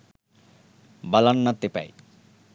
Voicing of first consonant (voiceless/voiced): voiced